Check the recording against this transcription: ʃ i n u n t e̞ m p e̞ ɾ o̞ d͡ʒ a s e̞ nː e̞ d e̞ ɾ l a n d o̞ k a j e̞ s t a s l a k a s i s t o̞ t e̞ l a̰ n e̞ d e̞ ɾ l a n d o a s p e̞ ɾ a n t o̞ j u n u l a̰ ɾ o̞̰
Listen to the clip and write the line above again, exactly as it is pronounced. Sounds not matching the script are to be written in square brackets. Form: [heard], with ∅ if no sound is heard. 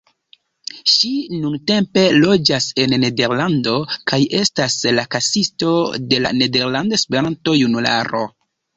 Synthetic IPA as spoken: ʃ i n u n t e̞ m p e̞ [l] o̞ d͡ʒ a s e̞ nː e̞ d e̞ ɾ l a n d o̞ k a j e̞ s t a s l a k a s i s t o̞ [d] e̞ l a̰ n e̞ d e̞ ɾ l a n d o [e] s p e̞ ɾ a n t o̞ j u n u l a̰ ɾ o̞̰